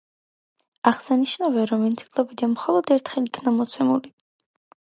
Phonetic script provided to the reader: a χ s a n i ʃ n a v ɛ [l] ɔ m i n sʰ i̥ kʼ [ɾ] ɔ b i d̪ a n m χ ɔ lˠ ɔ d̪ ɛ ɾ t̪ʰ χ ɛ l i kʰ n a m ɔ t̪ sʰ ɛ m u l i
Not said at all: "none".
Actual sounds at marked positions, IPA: ɾ, l

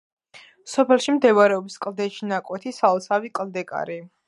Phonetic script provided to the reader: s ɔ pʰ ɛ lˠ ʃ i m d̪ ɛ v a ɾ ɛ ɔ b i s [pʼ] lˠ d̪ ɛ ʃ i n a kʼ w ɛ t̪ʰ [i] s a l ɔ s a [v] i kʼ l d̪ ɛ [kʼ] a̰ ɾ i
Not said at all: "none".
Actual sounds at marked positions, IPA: kʼ, i, v, kʼ

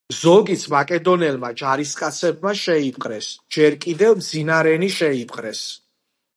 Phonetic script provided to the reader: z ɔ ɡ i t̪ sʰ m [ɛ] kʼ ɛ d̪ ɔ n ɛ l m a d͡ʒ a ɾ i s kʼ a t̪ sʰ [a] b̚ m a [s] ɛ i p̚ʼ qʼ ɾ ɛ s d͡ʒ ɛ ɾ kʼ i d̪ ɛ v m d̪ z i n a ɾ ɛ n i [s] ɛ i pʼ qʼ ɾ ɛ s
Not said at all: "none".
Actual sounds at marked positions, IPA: a, ɛ, ʃ, ʃ

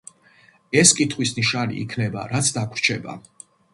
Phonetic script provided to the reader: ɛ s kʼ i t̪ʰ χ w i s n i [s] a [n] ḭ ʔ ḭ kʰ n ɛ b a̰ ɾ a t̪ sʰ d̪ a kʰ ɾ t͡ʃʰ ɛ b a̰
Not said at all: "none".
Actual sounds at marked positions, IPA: ʃ, n

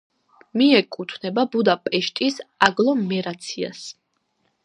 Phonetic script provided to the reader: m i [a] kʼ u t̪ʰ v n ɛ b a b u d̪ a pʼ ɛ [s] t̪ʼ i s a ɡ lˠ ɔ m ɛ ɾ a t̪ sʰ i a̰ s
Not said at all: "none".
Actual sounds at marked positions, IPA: ɛ, ʃ

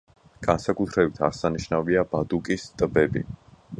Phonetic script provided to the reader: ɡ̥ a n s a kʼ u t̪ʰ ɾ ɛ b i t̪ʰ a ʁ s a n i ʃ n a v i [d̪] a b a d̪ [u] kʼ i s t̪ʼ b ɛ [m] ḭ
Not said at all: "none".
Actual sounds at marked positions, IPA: none, u, b

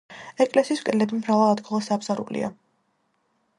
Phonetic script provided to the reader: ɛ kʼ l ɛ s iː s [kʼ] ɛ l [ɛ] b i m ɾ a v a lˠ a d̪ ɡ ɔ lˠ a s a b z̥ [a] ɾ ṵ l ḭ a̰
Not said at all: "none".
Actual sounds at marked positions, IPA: kʼ, ɛ, a

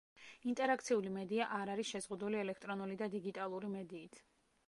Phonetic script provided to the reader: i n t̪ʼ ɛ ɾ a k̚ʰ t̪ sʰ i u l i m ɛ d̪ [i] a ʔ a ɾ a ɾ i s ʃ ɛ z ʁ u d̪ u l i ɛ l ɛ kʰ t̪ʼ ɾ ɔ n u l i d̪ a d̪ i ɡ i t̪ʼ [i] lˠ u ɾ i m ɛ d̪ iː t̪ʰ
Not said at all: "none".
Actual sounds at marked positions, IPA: i, a

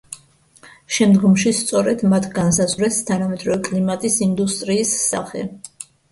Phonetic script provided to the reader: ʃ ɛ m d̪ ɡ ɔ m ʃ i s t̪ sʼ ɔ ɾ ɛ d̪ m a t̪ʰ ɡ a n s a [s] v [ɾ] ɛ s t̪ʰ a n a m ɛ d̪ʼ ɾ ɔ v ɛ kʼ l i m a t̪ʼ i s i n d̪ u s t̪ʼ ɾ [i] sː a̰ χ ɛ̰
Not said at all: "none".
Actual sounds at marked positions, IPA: z, ɾ, iː

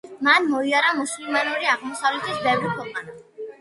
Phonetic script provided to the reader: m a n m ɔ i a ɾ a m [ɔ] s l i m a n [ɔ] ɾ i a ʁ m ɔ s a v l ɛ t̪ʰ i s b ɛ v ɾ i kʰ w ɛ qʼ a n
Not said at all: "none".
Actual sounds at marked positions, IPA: u, u

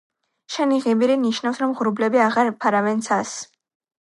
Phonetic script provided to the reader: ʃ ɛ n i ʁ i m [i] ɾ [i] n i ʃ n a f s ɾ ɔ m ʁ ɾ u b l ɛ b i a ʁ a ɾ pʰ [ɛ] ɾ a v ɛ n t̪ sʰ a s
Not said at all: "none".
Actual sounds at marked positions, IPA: i, i, a

